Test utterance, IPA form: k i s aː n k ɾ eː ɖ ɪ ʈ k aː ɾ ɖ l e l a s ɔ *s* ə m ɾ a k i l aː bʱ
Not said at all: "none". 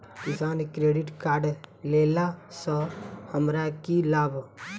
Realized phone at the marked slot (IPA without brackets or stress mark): h